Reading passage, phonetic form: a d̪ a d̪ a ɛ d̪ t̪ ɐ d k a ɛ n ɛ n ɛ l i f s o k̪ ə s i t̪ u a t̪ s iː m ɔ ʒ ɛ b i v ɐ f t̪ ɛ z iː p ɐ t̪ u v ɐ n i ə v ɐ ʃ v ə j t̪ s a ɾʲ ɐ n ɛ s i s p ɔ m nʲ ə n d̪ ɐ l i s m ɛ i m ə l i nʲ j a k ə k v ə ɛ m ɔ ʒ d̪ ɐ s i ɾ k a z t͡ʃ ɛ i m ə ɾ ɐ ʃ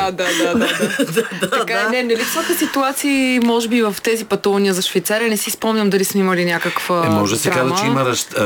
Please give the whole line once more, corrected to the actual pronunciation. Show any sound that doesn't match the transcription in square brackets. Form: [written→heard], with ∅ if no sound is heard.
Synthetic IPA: a d̪ a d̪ a [ɛ→a] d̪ t̪ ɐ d k a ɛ n ɛ n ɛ l i f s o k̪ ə s i t̪ u a t̪ s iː m ɔ ʒ ɛ b i v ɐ f t̪ ɛ z [iː→i] p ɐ t̪ u v ɐ n i ə [v→z] ɐ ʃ v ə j t̪ s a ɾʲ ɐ n ɛ s i s p ɔ m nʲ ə [n→m] d̪ ɐ l i s m ɛ i m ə l i nʲ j a k ə k v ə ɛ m ɔ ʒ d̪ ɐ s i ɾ k a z t͡ʃ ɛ i m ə ɾ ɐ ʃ